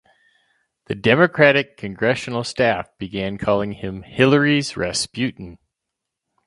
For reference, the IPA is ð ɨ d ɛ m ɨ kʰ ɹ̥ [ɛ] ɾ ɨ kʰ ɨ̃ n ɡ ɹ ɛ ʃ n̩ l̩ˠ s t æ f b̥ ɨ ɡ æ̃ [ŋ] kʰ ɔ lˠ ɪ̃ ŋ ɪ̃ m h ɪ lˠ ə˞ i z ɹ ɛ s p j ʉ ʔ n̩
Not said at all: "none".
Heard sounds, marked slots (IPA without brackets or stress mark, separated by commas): æ, n